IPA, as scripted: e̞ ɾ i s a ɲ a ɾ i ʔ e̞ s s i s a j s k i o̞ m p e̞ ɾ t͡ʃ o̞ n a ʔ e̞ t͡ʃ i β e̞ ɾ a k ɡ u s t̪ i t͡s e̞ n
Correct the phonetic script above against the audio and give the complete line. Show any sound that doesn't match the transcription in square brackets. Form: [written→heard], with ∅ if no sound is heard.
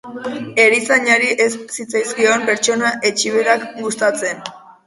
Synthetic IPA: e̞ ɾ i s a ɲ a ɾ i ʔ e̞ s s i [s→t͡s] a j s k i o̞ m p e̞ ɾ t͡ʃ o̞ n a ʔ e̞ t͡ʃ i β e̞ ɾ a k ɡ u s t̪ [i→a] t͡s e̞ n

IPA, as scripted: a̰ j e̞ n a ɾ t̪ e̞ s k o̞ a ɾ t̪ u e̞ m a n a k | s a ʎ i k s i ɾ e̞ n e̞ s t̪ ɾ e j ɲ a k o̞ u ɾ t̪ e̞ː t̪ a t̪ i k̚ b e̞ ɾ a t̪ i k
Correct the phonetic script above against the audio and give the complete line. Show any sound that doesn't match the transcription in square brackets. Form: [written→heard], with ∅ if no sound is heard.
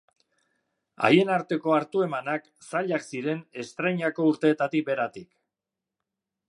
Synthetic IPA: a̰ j e̞ n a ɾ t̪ e̞ [s→∅] k o̞ a ɾ t̪ u e̞ m a n a k | s a ʎ [i→a] k s i ɾ e̞ n e̞ s t̪ ɾ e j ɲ a k o̞ u ɾ t̪ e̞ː t̪ a t̪ i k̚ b e̞ ɾ a t̪ i k

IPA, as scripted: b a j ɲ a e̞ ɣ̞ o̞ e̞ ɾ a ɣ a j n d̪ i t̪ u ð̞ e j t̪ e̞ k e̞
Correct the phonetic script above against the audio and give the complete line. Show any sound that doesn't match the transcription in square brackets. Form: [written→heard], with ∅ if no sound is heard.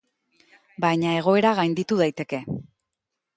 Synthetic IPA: b a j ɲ a e̞ ɣ̞ o̞ e̞ ɾ a ɣ a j n d̪ i t̪ u ð̞ [e→a] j t̪ e̞ k e̞

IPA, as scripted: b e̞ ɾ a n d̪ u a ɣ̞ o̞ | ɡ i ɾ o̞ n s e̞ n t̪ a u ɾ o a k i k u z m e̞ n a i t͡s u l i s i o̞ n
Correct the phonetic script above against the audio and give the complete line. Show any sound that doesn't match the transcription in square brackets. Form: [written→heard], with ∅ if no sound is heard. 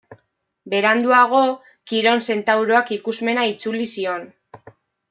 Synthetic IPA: b e̞ ɾ a n d̪ u a ɣ̞ o̞ | [ɡ→k] i ɾ o̞ n s e̞ n t̪ a [u→w] ɾ o a k i k u z m e̞ n a i t͡s u l i s i o̞ n

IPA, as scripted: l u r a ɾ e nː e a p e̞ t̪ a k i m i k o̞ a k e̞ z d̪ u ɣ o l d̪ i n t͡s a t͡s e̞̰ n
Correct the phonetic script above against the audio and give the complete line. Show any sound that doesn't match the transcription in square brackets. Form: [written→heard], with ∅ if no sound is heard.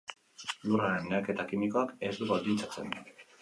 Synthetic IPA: l u r a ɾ e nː e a [p→k] e̞ t̪ a k i m i k o̞ a k e̞ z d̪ u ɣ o l d̪ i n t͡s a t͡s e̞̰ n

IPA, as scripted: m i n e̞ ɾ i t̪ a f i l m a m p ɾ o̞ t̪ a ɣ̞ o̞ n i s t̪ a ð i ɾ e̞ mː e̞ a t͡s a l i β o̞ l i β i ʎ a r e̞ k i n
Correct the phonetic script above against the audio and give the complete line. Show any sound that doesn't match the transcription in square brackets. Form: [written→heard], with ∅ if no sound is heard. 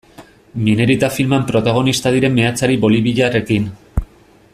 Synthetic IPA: m i n e̞ ɾ i t̪ a f i l m a m p ɾ o̞ t̪ a ɣ̞ o̞ n i s t̪ a ð i ɾ e̞ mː e̞ a t͡s a [l→ɾ] i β o̞ l i β i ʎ a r e̞ k i n

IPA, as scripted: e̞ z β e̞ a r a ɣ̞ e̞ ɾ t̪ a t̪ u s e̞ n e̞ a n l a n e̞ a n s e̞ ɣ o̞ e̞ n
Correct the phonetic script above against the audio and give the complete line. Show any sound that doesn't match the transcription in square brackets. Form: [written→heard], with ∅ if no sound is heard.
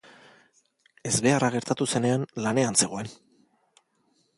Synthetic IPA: e̞ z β e̞ a r a ɣ̞ e̞ ɾ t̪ a t̪ u s e̞ n e̞ a n l a n e̞ a n s e̞ ɣ o̞ e̞ n

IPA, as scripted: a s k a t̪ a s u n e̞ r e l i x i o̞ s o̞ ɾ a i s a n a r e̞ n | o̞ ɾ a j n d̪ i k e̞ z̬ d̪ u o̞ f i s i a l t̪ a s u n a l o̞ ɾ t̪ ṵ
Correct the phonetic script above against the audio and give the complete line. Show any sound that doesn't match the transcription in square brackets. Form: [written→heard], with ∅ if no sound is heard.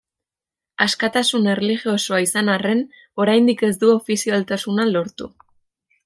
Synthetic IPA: a s k a t̪ a s u n e̞ r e l i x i o̞ s o̞ [ɾ→∅] a i s a n a r e̞ n | o̞ ɾ a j n d̪ i k e̞ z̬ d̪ u o̞ f i s i a l t̪ a s u n a l o̞ ɾ t̪ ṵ

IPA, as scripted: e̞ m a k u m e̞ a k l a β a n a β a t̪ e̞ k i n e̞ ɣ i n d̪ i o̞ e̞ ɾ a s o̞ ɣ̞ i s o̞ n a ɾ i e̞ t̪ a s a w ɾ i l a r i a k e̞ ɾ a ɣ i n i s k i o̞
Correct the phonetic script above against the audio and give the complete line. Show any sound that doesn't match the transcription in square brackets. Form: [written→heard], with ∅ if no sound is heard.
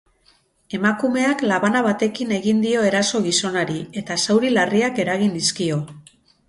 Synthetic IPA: e̞ m a k u m e̞ a k l a β a n a β a t̪ e̞ k i n e̞ ɣ i n d̪ i o̞ e̞ ɾ a s o̞ ɣ̞ i s o̞ n a ɾ i e̞ t̪ a s a w ɾ i l a r i a k e̞ ɾ a ɣ i n i s k i o̞

